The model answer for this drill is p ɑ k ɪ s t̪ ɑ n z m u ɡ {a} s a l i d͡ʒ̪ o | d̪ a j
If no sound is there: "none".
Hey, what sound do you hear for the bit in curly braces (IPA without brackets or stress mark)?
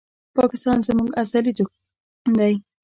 a